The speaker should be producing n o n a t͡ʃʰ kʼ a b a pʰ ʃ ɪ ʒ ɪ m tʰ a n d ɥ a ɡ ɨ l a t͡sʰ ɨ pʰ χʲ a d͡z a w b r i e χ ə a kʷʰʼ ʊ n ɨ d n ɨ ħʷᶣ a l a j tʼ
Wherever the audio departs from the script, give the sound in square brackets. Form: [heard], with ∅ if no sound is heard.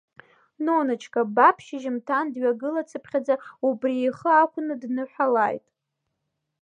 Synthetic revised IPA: n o n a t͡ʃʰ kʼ a b a pʰ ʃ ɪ ʒ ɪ m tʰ a n d ɥ a ɡ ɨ l a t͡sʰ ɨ pʰ χʲ a d͡z a [u] b r i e χ ə a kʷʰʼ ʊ n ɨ d n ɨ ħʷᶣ a l a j tʼ